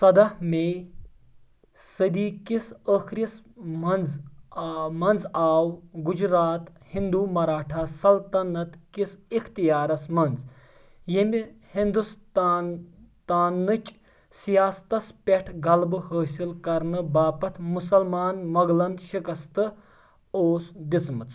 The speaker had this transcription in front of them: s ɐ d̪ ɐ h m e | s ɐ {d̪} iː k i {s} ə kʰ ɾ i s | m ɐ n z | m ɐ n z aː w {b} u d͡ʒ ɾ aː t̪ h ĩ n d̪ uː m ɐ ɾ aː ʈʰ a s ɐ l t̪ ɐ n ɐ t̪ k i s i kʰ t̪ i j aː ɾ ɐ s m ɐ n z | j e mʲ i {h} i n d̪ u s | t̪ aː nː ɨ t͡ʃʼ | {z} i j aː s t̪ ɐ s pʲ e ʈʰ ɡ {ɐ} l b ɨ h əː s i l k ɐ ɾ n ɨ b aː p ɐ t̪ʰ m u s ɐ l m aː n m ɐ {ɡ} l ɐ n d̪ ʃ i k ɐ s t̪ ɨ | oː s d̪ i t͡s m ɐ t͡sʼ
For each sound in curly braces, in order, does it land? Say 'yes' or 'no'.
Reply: yes, yes, no, yes, no, yes, yes

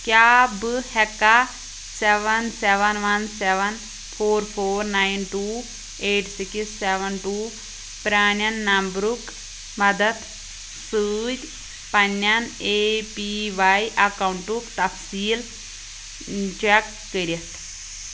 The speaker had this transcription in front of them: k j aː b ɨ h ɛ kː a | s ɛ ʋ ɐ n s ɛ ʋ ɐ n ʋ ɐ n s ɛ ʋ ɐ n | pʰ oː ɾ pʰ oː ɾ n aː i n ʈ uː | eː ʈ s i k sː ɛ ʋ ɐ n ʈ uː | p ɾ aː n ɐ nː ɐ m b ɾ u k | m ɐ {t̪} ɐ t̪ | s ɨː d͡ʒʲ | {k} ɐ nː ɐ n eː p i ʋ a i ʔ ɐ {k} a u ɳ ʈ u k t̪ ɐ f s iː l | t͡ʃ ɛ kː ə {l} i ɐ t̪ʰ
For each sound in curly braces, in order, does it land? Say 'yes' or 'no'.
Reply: no, no, yes, no

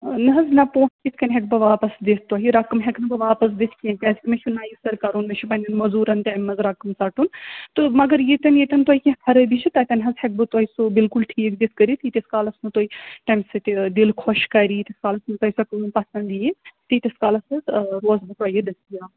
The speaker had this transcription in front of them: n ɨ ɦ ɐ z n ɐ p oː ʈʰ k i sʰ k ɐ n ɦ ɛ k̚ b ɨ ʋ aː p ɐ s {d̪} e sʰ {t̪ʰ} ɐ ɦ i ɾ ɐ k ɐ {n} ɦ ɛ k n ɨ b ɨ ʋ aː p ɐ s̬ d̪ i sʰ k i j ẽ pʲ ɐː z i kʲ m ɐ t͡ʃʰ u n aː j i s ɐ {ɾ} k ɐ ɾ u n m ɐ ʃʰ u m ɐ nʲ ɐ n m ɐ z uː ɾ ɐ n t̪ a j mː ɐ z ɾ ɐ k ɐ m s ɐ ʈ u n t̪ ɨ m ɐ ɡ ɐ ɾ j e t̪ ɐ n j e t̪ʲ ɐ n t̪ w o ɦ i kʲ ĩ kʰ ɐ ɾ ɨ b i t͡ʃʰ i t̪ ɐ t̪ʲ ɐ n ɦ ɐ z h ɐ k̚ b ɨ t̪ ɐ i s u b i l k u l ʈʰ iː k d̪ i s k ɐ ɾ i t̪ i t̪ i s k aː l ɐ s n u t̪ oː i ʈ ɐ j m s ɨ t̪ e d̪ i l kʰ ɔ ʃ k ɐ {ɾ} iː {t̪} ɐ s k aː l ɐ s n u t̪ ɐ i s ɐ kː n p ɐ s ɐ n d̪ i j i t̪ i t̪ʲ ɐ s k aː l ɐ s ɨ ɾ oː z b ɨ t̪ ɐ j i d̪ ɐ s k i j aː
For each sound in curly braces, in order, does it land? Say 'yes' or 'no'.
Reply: yes, no, no, yes, yes, yes

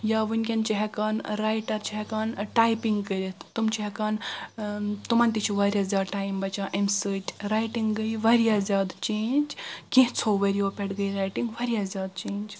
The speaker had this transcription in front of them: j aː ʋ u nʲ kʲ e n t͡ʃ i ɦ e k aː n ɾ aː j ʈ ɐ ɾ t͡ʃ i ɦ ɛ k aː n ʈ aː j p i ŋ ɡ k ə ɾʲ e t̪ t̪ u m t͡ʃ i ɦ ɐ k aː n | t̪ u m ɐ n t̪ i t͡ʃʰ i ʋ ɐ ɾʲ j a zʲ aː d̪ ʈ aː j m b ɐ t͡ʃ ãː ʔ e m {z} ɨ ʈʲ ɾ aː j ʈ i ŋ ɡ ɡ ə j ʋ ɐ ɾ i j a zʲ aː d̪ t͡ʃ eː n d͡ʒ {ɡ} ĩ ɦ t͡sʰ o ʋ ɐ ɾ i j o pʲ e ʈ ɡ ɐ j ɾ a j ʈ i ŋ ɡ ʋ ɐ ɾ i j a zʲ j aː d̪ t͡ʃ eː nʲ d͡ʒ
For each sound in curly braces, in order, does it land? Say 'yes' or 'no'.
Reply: no, no

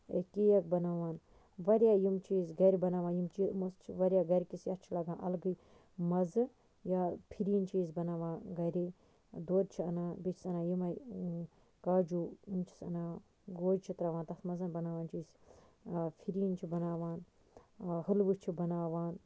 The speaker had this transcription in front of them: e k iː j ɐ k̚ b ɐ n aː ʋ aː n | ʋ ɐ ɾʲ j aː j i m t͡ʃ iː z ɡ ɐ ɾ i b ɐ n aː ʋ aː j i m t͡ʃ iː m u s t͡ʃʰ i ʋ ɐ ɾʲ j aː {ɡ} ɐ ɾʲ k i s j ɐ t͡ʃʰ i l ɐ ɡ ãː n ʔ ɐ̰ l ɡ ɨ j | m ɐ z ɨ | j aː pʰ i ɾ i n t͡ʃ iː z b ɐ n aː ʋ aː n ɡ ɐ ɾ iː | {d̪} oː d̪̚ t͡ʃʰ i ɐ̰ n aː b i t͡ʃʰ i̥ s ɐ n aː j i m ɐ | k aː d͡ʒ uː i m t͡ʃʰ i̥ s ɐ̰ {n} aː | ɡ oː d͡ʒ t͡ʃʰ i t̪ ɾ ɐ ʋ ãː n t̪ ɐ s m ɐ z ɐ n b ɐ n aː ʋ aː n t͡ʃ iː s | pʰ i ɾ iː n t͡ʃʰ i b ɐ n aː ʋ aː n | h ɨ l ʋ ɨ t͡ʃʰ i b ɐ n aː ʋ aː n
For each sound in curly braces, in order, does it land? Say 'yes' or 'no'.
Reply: yes, yes, yes

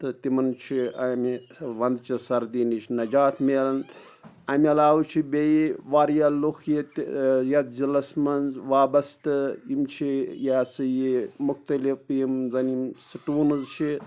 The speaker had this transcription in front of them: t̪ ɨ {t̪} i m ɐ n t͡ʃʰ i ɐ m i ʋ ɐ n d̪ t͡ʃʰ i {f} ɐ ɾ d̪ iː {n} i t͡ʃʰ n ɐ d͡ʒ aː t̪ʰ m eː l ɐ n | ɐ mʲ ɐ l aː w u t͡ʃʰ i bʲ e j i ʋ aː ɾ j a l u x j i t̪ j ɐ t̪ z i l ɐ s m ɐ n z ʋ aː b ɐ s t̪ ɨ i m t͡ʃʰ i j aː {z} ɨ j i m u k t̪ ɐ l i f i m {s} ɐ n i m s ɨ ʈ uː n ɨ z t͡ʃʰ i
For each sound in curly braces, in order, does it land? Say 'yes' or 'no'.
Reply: yes, no, yes, no, no

